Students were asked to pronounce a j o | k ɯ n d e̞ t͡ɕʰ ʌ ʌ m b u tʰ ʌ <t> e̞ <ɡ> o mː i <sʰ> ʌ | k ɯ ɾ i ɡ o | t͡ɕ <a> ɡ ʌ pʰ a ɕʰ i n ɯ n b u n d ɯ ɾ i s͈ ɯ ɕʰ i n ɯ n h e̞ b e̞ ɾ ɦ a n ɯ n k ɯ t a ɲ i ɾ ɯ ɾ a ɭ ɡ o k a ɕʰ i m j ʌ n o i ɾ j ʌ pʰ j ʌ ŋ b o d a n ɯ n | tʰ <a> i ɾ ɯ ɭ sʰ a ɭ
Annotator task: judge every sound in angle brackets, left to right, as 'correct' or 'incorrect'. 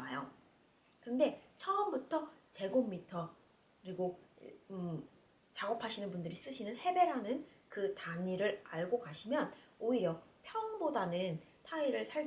incorrect: t͡ɕ, correct, incorrect: tʰ, correct, correct

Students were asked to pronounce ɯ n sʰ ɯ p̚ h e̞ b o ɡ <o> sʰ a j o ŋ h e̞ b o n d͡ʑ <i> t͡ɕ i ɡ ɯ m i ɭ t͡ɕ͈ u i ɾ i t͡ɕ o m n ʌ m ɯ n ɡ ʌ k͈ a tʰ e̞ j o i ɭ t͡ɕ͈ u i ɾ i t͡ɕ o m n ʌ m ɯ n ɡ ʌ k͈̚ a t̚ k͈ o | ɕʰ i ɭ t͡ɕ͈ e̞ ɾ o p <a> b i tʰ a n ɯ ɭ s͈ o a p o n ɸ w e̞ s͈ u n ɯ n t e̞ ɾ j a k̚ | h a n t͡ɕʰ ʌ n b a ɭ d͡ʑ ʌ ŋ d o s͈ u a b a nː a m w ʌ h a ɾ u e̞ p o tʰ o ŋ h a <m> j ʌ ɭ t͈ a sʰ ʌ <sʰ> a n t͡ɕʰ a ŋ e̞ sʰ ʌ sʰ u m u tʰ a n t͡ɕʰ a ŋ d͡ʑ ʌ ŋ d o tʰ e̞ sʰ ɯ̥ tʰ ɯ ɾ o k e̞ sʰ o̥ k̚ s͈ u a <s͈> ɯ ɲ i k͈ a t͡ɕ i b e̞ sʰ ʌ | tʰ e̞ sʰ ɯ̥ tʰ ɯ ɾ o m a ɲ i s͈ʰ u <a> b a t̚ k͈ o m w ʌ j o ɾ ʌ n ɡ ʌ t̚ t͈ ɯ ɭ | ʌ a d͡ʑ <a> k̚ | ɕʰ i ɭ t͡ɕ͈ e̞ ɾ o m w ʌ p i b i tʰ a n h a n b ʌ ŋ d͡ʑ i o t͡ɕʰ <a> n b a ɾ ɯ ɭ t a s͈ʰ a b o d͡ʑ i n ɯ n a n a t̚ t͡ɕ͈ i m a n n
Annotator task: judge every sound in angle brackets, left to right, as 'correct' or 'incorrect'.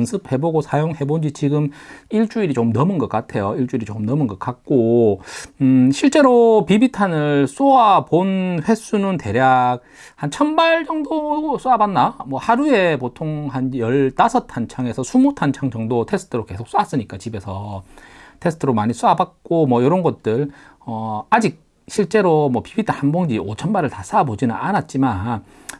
correct, correct, incorrect: i, incorrect: n, incorrect: tʰ, correct, correct, incorrect: i, incorrect: ʌ

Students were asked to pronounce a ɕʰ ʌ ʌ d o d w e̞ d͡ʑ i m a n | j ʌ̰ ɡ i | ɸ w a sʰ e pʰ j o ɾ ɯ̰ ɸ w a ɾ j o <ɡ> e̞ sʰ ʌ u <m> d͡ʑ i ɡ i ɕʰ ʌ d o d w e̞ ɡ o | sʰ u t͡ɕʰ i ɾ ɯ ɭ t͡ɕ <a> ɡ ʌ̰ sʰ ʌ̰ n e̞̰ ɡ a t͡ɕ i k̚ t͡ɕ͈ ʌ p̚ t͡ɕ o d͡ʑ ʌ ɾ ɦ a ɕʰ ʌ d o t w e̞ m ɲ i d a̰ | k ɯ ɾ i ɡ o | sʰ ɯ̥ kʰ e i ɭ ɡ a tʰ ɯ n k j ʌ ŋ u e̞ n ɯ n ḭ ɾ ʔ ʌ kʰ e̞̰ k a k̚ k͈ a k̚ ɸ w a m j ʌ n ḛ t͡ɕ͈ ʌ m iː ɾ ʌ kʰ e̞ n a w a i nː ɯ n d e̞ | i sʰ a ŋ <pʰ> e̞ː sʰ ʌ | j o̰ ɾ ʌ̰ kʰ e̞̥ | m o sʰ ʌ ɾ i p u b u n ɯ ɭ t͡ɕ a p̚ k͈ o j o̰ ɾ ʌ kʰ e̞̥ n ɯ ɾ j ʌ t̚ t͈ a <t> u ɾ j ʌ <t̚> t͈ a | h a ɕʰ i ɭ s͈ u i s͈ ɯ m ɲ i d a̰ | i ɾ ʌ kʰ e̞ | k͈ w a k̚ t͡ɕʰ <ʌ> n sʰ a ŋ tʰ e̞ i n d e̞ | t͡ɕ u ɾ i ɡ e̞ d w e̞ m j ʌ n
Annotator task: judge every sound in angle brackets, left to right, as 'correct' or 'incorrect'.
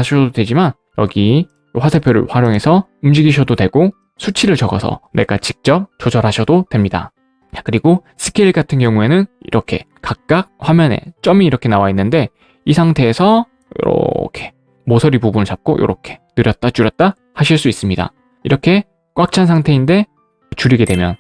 incorrect: ŋ, correct, incorrect: ʌ, incorrect: tʰ, incorrect: t͡ɕ, correct, incorrect: a

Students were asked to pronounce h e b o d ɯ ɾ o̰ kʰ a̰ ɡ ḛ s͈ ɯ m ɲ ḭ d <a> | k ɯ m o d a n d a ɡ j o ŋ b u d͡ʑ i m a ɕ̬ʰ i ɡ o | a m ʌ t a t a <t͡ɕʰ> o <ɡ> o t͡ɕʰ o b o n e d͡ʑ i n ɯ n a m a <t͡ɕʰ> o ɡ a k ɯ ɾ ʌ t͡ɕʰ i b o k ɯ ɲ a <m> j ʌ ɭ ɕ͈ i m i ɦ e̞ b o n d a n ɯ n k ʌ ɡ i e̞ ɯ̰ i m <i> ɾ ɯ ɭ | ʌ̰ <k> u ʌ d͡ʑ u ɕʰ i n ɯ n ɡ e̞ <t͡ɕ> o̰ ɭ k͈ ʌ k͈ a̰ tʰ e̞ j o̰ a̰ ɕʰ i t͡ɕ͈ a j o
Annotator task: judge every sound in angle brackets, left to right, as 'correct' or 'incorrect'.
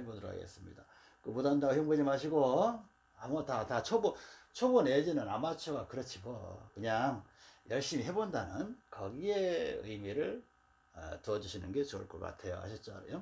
correct, correct, incorrect: b, correct, incorrect: ŋ, correct, incorrect: t, correct

